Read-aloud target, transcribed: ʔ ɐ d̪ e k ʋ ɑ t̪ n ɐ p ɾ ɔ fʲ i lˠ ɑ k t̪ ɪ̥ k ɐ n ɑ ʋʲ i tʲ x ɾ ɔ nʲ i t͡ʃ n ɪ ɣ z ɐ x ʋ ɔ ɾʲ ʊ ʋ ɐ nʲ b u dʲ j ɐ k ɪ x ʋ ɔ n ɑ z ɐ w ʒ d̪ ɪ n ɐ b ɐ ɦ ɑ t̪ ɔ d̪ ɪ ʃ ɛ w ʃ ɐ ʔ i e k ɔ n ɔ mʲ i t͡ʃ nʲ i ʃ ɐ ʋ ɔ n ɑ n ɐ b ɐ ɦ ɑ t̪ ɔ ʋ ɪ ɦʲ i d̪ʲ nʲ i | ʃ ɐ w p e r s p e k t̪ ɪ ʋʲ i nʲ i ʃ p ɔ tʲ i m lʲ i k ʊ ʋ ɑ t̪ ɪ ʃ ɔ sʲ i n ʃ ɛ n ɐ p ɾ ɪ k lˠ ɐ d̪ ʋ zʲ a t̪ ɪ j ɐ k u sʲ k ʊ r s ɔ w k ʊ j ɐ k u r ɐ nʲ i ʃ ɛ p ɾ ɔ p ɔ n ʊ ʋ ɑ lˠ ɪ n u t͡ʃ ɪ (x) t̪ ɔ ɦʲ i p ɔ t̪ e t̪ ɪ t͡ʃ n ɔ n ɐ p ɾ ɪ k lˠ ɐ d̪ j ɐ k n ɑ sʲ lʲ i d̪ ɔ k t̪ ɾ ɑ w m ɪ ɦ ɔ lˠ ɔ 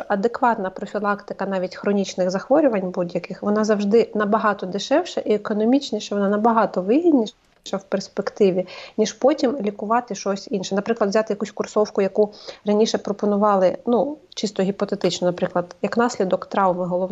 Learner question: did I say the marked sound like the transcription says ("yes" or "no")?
no